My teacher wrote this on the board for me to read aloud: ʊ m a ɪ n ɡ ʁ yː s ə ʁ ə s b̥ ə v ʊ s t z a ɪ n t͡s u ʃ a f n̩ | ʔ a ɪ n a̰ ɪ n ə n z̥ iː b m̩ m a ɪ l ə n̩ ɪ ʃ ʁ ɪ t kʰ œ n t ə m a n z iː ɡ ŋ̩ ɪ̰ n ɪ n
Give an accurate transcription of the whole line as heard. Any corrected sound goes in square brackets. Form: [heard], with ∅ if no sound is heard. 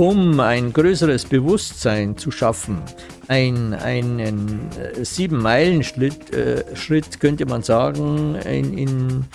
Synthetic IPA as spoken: ʊ m a ɪ n ɡ ʁ [øː] s ə ʁ ə s b̥ ə v ʊ s t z a ɪ n t͡s u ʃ a f n̩ | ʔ a ɪ n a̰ ɪ n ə n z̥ iː b m̩ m a ɪ l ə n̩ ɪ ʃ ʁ ɪ t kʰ œ n t ə m a n z [aː] ɡ ŋ̩ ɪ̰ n ɪ n